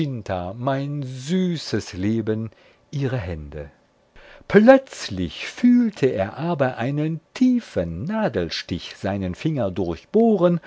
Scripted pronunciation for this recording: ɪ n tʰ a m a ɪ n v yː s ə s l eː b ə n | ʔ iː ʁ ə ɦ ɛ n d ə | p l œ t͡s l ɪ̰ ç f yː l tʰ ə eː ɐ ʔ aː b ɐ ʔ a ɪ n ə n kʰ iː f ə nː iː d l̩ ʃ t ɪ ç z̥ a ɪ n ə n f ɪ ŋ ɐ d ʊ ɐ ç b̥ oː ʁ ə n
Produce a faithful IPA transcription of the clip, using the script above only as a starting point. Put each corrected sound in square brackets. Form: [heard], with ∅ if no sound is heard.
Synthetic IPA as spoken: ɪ n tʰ a m a ɪ n [z] yː s ə s l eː b ə n | ʔ iː ʁ ə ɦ ɛ n d ə | p l œ t͡s l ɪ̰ ç f yː l tʰ ə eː ɐ ʔ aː b ɐ ʔ a ɪ n ə n [tʰ] iː f ə nː [aː] d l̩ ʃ t ɪ ç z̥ a ɪ n ə n f ɪ ŋ ɐ d ʊ ɐ ç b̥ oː ʁ ə n